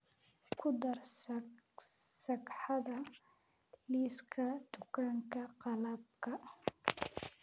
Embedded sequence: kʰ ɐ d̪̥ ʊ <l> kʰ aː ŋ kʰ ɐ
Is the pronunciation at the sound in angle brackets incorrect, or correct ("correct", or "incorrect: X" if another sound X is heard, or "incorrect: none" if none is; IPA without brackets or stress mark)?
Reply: incorrect: none